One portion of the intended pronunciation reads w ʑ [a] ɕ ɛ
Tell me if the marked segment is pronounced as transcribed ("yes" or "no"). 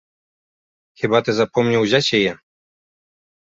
yes